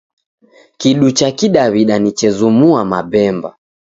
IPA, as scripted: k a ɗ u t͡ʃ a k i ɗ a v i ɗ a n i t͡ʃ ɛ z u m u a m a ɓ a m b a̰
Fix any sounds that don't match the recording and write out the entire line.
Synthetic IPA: k i ɗ u t͡ʃ a k i ɗ a β i ɗ a n i t͡ʃ ɛ z u m u a m a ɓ ɛ m b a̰